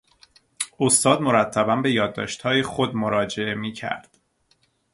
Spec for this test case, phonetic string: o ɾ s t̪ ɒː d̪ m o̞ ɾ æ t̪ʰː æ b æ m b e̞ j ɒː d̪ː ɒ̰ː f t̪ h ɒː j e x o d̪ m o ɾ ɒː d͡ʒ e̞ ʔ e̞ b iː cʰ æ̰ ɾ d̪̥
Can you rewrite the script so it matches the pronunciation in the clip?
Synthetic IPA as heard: o s t̪ ɒː d̪ m o̞ ɾ æ t̪ʰː æ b æ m b e̞ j ɒː d̪ː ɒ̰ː ʃ t̪ h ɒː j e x o d̪ m o ɾ ɒː d͡ʒ e̞ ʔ e̞ m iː cʰ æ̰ ɾ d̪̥